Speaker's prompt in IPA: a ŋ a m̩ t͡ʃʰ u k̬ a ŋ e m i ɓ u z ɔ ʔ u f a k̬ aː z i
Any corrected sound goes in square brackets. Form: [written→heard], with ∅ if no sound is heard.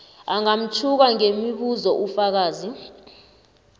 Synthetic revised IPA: a ŋ a m̩ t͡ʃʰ u k̬ a ŋ e m i ɓ u z ɔ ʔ u f a k̬ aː z i